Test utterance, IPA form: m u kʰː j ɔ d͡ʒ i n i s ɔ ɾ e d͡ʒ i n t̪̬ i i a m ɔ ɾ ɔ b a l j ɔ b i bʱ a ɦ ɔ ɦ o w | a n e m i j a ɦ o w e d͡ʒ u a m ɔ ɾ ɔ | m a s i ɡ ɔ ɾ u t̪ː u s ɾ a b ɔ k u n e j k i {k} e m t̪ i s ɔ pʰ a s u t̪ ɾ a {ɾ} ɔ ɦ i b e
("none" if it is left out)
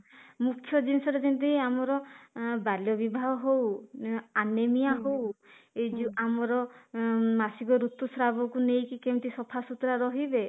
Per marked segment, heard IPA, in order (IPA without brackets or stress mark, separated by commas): k, ɾ